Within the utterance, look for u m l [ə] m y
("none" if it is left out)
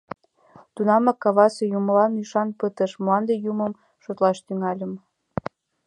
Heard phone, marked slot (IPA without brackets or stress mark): ɑ